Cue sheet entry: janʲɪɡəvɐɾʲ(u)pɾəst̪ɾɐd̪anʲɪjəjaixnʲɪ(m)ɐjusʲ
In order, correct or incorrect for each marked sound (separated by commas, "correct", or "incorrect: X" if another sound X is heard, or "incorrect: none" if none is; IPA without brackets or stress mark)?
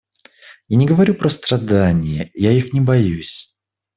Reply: correct, incorrect: b